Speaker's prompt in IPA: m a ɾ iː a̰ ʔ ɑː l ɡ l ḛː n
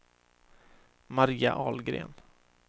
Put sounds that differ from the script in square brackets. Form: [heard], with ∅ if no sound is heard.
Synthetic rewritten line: m a ɾ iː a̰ ʔ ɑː l ɡ [ɾ] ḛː n